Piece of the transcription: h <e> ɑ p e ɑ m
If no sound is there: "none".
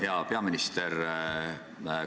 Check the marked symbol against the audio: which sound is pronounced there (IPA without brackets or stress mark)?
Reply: e